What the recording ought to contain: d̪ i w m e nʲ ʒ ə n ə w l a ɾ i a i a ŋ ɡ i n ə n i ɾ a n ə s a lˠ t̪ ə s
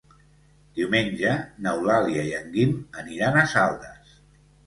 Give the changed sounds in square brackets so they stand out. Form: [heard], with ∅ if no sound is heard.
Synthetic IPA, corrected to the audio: d̪ i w m e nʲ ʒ ə n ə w l a [l] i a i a ŋ ɡ i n ə n i ɾ a n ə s a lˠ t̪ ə s